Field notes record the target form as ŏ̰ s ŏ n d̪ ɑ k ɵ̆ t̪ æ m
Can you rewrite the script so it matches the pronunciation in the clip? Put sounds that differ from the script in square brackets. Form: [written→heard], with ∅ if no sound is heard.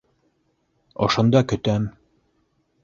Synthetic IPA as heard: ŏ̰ [s→ʃ] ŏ n d̪ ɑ k ɵ̆ t̪ æ m